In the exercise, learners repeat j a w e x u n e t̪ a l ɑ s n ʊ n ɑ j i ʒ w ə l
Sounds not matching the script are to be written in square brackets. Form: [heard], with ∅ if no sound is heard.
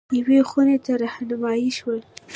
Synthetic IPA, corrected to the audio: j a w e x u n e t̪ a [ɾ] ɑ [h] n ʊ [m] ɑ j i [ʃ] w ə l